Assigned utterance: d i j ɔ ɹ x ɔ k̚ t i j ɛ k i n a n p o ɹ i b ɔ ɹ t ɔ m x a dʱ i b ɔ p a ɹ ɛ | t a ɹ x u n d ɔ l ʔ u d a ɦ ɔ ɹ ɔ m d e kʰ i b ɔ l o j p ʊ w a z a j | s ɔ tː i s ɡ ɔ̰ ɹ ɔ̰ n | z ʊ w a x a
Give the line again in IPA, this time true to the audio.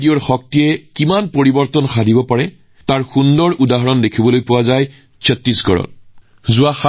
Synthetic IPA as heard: d i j ɔ ɹ x ɔ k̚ t i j ɛ k i m a n p o ɹ i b ɔ ɹ t ɔ n x a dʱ i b ɔ p a ɹ ɛ | t a ɹ x u n d ɔ ɹ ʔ u d a ɦ ɔ ɹ ɔ n d e kʰ i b ɔ l o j p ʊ w a z a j | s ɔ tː i s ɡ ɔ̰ ɹ ɔ̰ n | z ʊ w a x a